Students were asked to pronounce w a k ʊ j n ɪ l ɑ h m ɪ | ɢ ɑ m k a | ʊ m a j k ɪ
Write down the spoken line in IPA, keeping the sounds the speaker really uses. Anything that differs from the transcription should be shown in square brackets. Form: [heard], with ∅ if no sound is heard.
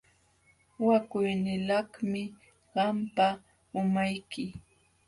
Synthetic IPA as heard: w a k ʊ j n ɪ l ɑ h m ɪ | ɢ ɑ m [p] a | ʊ m a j k ɪ